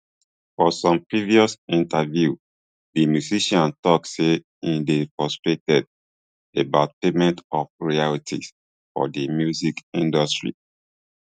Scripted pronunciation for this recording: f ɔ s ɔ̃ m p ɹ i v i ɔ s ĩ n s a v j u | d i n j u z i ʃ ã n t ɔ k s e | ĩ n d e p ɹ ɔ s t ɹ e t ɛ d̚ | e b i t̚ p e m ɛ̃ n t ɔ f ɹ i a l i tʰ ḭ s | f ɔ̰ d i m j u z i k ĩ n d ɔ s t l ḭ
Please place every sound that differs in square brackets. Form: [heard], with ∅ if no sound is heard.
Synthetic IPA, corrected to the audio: f ɔ s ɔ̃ m p ɹ i v i ɔ s ĩ n [t] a v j u | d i [m] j u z i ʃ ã n t ɔ k s e | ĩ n d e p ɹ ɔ s t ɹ e t ɛ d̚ | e b [a] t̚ p e m ɛ̃ n t ɔ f ɹ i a l i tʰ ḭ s | f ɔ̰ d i m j u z i k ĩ n d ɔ s t [ɹ] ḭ